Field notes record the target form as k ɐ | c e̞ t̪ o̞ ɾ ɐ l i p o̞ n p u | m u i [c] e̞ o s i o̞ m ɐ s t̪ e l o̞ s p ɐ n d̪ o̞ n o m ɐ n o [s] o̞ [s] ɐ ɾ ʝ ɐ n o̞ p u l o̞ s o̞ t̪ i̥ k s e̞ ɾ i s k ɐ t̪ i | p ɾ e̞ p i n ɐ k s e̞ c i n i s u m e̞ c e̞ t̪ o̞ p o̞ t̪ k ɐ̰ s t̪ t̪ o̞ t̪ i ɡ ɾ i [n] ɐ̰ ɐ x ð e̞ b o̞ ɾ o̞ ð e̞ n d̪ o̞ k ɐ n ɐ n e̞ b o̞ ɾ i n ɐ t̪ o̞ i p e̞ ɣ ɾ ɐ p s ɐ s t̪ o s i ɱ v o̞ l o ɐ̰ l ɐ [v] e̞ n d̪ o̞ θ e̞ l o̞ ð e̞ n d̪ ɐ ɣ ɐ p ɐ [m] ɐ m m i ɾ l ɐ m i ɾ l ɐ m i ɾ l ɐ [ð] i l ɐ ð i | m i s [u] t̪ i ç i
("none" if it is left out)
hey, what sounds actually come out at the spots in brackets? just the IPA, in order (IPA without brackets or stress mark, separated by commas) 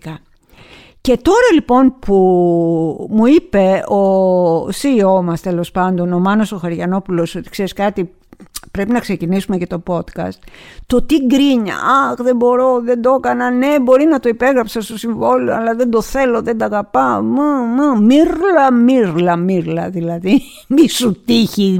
p, s, x, ɲ, ð, m, ð, u